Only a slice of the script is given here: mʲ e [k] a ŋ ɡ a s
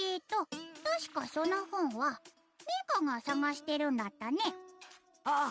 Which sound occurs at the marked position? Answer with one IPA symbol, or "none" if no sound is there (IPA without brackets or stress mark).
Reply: k